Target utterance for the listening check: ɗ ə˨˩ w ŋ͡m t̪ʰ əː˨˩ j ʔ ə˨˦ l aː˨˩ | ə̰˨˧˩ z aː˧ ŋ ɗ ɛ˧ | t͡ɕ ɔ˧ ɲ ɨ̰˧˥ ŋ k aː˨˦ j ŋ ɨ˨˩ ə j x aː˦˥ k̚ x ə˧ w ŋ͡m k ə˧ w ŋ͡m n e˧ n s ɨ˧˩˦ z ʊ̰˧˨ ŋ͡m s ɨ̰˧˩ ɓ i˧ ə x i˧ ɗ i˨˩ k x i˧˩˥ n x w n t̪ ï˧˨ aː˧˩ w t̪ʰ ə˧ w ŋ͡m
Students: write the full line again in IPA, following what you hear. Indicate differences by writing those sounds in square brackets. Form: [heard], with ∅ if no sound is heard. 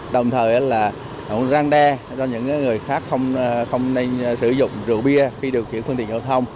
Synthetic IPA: ɗ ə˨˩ w ŋ͡m t̪ʰ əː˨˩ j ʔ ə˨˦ l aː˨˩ | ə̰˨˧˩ z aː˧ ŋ ɗ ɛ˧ | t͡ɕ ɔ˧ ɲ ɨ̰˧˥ ŋ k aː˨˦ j ŋ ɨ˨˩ ə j x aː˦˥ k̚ x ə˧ w ŋ͡m [x] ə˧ w ŋ͡m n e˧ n s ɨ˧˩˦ z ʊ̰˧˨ ŋ͡m [z] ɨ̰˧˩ ɓ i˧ ə x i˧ ɗ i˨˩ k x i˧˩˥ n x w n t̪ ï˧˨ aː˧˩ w t̪ʰ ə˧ w ŋ͡m